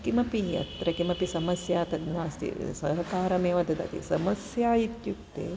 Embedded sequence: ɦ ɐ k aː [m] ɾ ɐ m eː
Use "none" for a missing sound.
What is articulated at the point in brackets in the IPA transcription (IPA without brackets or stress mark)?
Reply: none